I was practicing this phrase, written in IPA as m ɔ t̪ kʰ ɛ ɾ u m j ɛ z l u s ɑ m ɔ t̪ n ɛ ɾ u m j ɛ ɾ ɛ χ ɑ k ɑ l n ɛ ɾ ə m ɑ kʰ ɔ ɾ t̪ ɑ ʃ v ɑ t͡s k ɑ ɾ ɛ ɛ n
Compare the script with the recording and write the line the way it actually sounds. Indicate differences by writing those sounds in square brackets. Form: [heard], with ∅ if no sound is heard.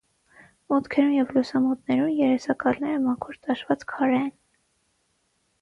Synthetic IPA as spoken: m ɔ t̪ kʰ ɛ ɾ u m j ɛ [v] l u s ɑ m ɔ t̪ n ɛ ɾ u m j ɛ ɾ ɛ [s] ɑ k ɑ l n ɛ ɾ ə m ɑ kʰ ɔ ɾ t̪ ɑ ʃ v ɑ t͡s [kʰ] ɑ ɾ ɛ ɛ n